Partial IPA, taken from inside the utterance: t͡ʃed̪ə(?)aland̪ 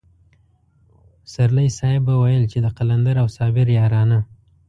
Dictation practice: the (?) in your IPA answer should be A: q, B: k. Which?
A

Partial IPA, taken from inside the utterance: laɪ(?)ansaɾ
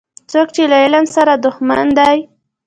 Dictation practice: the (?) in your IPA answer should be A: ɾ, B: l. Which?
B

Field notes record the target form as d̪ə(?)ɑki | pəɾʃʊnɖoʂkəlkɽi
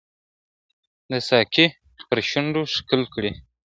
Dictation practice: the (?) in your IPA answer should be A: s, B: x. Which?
A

